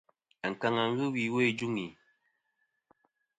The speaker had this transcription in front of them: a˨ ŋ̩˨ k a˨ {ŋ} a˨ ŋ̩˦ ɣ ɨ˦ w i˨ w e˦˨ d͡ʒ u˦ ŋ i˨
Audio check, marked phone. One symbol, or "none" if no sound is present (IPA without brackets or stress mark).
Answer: ŋ